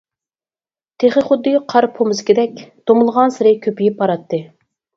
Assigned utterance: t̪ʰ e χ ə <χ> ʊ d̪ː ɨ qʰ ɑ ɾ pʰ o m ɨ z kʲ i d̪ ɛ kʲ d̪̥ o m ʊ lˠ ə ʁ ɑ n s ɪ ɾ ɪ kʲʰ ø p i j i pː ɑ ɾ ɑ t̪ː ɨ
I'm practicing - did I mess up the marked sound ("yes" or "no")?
no